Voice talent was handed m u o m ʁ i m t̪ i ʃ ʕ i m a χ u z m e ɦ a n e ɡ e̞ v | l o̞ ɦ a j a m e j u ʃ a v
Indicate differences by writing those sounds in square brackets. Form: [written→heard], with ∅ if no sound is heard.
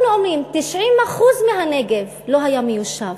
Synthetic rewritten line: [m→n] u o m ʁ i m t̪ i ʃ ʕ i m a χ u z m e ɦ a n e ɡ e̞ v | l o̞ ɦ a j a m e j u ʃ a v